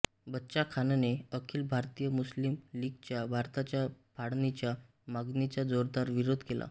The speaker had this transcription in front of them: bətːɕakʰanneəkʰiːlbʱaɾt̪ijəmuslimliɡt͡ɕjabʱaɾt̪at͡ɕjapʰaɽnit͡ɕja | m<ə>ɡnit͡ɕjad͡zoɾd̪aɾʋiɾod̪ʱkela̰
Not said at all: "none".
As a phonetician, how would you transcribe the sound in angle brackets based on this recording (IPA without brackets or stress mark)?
a